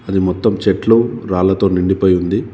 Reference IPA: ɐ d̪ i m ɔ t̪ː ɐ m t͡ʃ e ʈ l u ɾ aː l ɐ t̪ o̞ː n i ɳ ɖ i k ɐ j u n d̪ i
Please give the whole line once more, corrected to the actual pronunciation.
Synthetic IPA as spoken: ɐ d̪ i m ɔ t̪ː ɐ m t͡ʃ e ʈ l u ɾ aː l ɐ t̪ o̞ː n i ɳ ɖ i p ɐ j u n d̪ i